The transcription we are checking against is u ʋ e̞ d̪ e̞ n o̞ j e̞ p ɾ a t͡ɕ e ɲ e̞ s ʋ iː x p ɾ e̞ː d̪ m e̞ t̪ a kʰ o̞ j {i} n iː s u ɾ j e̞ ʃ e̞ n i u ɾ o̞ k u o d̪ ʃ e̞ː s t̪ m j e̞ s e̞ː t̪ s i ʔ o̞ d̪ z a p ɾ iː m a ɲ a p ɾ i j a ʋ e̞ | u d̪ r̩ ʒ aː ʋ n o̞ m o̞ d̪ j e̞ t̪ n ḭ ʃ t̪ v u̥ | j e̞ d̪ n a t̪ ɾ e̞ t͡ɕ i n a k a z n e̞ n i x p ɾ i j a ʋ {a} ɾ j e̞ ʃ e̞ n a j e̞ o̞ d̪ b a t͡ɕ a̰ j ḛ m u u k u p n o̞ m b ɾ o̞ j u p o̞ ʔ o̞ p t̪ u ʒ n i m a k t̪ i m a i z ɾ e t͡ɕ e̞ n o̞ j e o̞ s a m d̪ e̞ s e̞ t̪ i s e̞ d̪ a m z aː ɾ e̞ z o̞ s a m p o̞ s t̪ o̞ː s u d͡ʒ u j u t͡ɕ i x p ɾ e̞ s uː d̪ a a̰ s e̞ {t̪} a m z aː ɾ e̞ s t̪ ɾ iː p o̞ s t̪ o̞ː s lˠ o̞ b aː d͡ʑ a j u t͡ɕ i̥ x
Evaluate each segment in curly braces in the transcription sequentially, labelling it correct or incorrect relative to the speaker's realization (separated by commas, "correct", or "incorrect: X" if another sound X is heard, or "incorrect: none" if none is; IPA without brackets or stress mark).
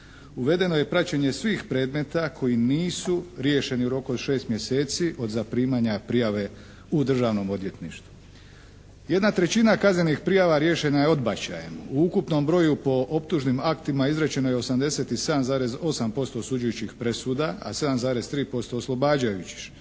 correct, correct, incorrect: d̪